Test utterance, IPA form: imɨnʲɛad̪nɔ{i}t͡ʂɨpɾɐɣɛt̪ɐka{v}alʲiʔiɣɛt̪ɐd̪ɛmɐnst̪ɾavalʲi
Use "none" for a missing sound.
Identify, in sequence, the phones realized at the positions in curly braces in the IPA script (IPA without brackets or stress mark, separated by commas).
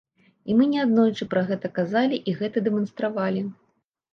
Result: j, z